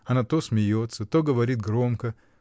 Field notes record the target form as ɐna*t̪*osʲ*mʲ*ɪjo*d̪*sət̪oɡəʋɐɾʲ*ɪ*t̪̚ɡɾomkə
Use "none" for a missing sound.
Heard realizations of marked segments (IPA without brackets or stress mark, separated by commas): t̪, mʲ, t̪, i